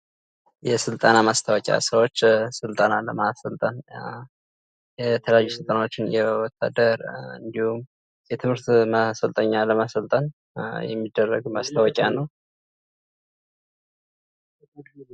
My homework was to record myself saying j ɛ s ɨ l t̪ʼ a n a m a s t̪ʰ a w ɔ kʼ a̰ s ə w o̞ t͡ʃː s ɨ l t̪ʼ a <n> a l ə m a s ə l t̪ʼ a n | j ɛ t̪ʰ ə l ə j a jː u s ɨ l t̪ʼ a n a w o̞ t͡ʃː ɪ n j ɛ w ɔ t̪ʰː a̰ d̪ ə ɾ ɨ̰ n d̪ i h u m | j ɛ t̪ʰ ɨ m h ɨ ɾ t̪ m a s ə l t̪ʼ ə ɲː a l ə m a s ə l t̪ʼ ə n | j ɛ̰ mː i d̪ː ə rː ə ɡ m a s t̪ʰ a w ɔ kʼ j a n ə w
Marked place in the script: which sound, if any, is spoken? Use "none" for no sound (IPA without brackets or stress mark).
n